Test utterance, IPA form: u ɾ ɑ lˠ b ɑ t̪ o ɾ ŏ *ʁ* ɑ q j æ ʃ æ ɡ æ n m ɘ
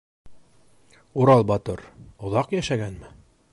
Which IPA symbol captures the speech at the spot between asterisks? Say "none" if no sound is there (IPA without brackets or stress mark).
ð